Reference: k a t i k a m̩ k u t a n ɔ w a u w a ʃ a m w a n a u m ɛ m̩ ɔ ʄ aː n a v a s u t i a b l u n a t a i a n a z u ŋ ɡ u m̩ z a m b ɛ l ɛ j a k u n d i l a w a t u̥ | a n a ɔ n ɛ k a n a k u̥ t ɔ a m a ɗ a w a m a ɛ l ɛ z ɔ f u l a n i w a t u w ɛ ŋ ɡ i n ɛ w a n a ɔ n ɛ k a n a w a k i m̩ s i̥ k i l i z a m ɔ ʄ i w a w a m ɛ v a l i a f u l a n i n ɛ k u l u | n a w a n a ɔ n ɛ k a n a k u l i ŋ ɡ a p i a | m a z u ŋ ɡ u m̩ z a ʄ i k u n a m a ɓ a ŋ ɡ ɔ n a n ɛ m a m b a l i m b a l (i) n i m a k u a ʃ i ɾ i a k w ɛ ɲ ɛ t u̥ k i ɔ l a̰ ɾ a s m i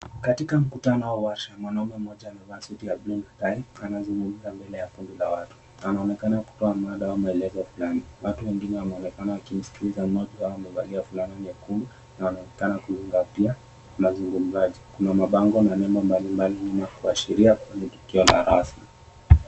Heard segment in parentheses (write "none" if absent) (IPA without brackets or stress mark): i